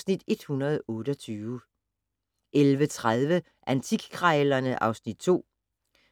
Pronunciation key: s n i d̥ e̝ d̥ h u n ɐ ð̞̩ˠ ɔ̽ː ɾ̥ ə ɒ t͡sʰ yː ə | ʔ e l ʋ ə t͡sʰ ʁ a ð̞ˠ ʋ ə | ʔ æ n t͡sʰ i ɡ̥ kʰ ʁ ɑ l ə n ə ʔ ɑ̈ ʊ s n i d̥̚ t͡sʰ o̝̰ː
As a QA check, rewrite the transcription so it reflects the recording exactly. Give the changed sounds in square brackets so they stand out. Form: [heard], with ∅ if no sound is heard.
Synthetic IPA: s n i d̥ e̝ d̥ h u n ɐ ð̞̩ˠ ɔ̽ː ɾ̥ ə ɒ t͡sʰ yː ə | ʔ e l ʋ ə t͡sʰ ʁ a ð̞ˠ ʋ ə | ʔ æ n t͡sʰ i ɡ̥ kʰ ʁ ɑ l [ɐ] n ə ʔ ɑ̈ ʊ s n i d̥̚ t͡sʰ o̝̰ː